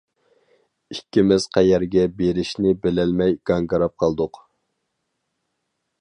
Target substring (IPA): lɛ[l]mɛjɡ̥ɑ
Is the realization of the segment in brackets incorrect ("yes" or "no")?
no